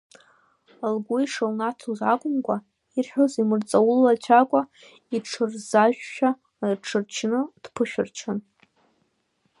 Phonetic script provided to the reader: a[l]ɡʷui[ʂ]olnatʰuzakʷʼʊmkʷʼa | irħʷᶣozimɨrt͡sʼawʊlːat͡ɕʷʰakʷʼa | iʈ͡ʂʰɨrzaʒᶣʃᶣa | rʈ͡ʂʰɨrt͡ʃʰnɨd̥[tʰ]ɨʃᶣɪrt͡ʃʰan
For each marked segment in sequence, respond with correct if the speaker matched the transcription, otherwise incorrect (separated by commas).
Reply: correct, correct, incorrect